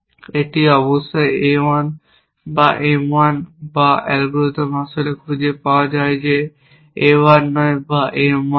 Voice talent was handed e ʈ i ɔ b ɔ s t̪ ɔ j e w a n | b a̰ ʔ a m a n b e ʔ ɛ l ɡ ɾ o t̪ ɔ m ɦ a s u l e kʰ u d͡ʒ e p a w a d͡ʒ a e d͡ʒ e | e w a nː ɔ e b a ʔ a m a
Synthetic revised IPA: e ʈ i ɔ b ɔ s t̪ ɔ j e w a n | b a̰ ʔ e m a n b a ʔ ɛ l ɡ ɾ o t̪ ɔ m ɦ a s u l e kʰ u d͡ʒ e p a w a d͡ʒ a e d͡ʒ e | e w a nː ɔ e b a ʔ e m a